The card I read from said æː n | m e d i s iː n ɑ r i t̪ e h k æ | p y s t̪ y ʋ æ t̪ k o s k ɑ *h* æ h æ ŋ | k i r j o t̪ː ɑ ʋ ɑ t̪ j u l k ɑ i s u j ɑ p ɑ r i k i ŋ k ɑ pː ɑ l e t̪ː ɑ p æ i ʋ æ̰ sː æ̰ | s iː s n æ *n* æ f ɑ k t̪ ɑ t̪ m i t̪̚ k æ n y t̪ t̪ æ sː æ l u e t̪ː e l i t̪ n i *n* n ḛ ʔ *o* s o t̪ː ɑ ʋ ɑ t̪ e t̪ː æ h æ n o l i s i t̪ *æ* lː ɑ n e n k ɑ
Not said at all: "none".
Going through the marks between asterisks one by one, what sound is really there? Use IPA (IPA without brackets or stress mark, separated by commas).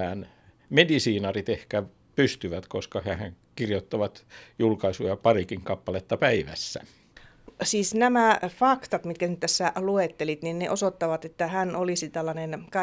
h, m, n, o, æ